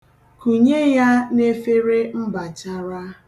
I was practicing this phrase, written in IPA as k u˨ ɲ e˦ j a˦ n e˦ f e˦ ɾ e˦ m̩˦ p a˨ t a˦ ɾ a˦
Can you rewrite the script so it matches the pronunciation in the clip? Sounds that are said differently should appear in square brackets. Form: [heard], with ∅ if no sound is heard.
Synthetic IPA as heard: k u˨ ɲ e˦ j a˦ n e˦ f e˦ ɾ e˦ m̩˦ [b] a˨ [t͡ʃ] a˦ ɾ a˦